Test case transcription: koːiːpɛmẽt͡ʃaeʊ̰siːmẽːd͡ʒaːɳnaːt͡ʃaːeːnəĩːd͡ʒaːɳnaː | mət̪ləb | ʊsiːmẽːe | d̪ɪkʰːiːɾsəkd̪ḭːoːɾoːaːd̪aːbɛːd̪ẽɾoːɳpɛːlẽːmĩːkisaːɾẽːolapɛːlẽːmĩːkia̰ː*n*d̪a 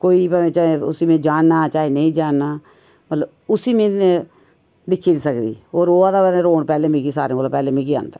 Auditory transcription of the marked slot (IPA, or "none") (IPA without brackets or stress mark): n